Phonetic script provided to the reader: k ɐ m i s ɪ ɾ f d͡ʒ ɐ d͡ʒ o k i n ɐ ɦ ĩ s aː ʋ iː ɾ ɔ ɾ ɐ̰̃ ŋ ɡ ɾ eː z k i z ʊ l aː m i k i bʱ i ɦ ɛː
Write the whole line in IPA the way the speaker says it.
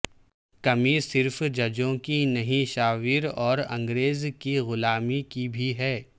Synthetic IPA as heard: k ɐ m i s ɪ ɾ f d͡ʒ ɐ d͡ʒ õ k i n ɐ ɦ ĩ ʃ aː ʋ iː ɾ ɔː ɾ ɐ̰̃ ŋ ɡ ɾ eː z k i ɣ ʊ l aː m i k i bʱ i ɦ ɛː